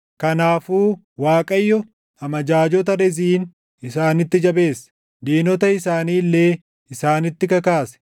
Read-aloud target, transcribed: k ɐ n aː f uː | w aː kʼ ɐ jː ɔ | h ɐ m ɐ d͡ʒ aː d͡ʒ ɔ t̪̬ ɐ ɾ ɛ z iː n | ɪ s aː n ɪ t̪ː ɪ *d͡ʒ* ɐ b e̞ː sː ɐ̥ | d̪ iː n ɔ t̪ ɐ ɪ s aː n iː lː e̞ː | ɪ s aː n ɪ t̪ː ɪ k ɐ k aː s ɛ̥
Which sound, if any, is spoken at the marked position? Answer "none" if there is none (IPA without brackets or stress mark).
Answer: d͡ʒ